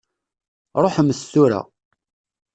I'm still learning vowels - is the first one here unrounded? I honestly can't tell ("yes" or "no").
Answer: no